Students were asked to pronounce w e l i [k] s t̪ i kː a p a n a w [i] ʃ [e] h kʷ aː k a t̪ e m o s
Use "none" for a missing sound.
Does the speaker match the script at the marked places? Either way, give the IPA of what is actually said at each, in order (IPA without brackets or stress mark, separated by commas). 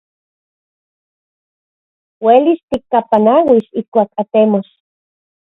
none, i, i